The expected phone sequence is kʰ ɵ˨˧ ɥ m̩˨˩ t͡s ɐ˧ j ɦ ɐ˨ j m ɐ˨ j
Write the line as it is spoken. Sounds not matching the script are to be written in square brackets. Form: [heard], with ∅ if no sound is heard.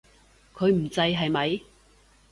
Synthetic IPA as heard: kʰ ɵ˨˧ ɥ m̩˨˩ t͡s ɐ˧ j ɦ ɐ˨ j m ɐ˨ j